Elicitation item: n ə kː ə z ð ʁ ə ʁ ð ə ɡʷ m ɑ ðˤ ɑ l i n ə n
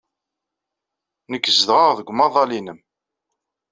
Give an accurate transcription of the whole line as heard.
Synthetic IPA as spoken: n ə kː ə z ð ʁ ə ʁ ð ə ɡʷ m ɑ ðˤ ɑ l i n ə m

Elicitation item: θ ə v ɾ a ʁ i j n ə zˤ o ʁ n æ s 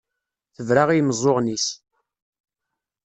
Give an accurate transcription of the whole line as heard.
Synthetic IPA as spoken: θ ə v ɾ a ʁ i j m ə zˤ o ʁ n i s

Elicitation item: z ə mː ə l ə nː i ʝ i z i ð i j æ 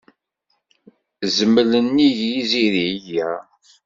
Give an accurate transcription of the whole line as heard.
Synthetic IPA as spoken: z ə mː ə l ə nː i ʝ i z i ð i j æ

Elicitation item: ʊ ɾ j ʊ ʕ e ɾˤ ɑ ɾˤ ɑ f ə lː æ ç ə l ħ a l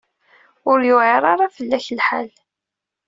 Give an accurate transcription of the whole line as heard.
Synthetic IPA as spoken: ʊ ɾ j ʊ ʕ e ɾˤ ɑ ɾˤ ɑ f ə lː æ ç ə l ħ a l

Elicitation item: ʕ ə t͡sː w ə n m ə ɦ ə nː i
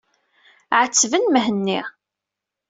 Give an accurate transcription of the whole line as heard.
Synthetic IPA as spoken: ʕ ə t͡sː v ə n m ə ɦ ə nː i

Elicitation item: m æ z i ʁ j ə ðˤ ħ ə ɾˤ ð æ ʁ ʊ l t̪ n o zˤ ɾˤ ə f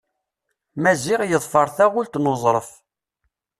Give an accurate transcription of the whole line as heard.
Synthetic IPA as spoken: m æ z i ʁ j ə ðˤ f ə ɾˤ θ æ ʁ ʊ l t̪ n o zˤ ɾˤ ə f

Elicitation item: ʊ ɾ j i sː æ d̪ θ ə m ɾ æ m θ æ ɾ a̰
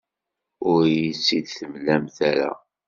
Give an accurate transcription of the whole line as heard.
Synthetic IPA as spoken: ʊ ɾ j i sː i d̪ θ ə m l æ m θ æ ɾ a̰

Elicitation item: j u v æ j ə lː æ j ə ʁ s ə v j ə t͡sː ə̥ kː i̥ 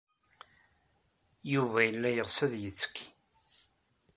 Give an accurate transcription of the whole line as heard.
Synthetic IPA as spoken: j u v æ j ə lː æ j ə ʁ s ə ð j ə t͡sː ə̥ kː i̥

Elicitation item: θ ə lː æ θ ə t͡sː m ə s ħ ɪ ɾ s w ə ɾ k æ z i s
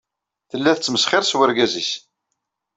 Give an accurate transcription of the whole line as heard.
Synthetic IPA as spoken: θ ə lː æ θ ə t͡sː m ə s χ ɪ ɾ s w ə ɾ ɡ æ z i s

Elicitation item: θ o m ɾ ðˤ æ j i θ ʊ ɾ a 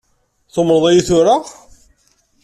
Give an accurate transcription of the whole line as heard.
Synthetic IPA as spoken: θ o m ɾ ðˤ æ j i θ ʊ ɾ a

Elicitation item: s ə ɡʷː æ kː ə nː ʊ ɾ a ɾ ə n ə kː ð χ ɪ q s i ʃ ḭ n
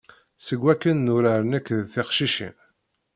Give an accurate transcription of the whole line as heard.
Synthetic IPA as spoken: s ə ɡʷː æ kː ə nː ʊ ɾ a ɾ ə n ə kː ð θ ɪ q ʃ i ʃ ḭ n

